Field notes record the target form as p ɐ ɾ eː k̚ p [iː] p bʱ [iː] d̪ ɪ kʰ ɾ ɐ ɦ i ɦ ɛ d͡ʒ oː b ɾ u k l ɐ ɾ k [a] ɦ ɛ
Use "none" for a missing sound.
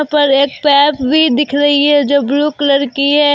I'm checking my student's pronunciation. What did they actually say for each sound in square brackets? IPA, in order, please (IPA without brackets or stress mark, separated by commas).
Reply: ɛː, i, i